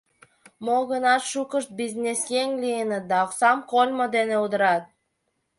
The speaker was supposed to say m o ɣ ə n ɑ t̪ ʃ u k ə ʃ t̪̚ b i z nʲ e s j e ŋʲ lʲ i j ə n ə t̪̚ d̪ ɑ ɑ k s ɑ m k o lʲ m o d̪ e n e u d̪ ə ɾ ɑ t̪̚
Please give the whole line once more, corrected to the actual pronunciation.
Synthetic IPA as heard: m o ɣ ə n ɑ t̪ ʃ u k ə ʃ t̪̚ b i z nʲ e s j e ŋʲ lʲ i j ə n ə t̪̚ d̪ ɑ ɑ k s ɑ m k o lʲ m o d̪ e n e u d̪ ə ɾ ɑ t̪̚

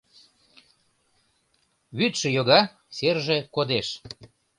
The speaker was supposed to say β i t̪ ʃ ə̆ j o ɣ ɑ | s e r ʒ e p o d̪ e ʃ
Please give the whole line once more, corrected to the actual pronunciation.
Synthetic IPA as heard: β y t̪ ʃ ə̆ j o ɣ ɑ | s e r ʒ e k o d̪ e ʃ

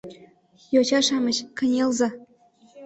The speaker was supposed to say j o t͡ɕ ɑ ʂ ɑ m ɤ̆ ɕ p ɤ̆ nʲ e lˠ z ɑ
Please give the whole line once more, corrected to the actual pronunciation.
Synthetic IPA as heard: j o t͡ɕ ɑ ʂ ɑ m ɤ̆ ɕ k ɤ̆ nʲ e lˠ z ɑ

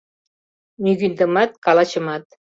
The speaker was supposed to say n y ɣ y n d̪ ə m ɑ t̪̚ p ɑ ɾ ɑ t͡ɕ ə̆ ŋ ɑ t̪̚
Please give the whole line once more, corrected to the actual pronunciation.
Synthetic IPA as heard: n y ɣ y n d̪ ə m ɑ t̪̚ k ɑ l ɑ t͡ɕ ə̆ m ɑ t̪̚

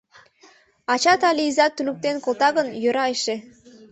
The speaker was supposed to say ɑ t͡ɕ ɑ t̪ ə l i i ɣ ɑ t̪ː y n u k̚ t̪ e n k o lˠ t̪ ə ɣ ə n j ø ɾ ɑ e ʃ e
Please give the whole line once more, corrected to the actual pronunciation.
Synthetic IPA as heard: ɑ t͡ɕ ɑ t̪ ɑ l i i z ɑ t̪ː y n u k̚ t̪ e n k o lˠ t̪ ɑ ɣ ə n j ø ɾ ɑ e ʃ e

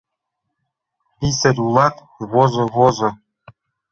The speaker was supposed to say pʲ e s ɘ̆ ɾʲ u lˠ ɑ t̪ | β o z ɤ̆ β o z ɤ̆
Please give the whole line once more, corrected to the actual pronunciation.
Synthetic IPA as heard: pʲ i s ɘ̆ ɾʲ u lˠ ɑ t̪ | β o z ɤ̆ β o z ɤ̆

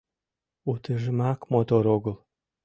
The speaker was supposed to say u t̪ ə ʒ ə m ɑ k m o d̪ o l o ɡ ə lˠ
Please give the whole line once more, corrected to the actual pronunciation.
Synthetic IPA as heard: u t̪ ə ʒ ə m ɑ k m o t̪ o ɾ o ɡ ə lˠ

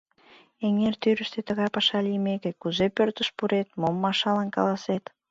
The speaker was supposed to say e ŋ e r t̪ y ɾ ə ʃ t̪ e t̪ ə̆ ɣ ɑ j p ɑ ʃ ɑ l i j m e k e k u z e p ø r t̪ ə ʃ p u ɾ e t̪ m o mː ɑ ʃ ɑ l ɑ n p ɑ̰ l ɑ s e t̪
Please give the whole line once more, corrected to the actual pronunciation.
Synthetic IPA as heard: e ŋ e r t̪ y ɾ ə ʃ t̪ e t̪ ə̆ ɣ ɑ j p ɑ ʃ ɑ l i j m e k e k u z e p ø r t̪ ə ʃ p u ɾ e t̪ m o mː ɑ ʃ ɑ l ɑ n k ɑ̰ l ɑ s e t̪

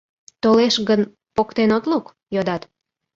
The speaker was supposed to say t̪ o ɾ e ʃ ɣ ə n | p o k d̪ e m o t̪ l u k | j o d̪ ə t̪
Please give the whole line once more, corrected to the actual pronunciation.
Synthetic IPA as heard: t̪ o l e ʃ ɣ ə n | p o k t̪ e n o t̪ l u k | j o d̪ ɑ t̪

